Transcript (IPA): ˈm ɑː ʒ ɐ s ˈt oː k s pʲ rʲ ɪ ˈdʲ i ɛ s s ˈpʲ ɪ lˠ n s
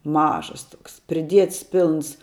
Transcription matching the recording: ˈm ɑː ʒ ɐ s ˈt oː k s pʲ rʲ ɪ ˈdʲ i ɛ t s ˈpʲ ɪ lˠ n s